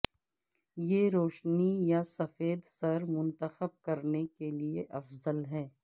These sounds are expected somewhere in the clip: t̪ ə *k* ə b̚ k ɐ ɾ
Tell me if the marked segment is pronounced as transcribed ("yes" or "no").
no